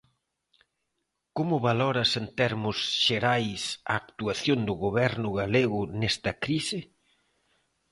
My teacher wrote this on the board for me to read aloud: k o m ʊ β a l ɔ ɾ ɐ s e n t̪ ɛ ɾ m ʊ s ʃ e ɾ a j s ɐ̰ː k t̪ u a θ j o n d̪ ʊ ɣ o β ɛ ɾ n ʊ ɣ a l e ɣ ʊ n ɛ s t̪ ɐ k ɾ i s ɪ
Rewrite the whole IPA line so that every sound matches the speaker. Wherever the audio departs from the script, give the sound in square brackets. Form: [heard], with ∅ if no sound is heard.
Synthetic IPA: k o m ʊ β a l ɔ ɾ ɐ s e n t̪ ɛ ɾ m ʊ s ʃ e ɾ a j s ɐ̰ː k t̪ u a θ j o n d̪ ʊ ɣ o β ɛ ɾ n ʊ ɣ a l e ɣ ʊ n ɛ s t̪ ɐ k ɾ i s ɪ